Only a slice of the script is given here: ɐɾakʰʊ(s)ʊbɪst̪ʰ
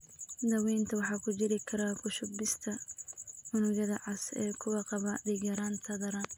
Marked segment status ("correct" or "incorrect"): incorrect